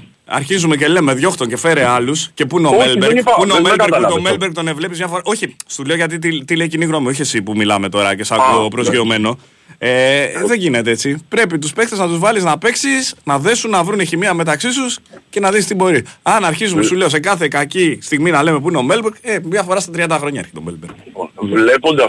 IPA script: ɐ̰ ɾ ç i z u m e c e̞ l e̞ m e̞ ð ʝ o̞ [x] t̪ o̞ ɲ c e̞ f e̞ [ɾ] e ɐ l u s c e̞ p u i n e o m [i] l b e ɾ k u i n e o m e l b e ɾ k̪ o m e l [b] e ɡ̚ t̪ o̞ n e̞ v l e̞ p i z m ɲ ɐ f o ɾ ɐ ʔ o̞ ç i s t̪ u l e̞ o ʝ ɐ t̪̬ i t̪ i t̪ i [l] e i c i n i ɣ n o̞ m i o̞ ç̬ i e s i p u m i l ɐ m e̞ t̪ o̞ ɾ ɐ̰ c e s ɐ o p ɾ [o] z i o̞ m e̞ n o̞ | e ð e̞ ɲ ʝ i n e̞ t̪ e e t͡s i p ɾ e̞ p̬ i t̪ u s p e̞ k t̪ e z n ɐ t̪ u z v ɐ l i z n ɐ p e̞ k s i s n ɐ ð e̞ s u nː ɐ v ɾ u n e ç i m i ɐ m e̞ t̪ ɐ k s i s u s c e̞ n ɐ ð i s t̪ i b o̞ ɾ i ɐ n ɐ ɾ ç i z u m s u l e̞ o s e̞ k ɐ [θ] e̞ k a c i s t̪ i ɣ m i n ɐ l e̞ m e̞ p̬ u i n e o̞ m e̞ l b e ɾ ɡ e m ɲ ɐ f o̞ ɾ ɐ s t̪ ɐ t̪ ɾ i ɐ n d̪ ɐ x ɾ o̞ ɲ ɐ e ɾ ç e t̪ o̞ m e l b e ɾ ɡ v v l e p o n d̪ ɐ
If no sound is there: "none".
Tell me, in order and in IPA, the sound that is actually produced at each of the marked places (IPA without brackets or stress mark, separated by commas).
x, ɾ, e, b, l, o, θ